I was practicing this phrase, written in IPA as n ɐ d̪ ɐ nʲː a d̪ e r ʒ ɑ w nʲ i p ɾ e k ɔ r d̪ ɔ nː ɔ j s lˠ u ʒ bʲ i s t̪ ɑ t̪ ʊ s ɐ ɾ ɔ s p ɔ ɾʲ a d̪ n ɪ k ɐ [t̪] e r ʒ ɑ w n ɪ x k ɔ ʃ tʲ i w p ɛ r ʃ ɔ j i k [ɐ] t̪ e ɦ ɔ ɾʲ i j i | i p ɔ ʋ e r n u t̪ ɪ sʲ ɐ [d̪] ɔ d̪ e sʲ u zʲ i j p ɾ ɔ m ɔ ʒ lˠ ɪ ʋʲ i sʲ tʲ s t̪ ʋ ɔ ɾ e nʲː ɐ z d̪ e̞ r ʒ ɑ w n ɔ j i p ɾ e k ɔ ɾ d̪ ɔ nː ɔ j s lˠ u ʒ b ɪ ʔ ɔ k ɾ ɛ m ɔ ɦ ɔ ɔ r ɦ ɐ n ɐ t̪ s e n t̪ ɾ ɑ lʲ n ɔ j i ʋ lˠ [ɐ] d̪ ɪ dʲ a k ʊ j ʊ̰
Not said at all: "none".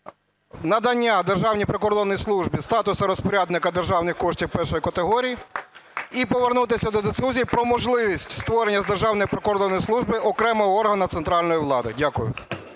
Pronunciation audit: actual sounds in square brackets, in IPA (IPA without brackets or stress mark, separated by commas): d̪, ɐ, d̪, ɑ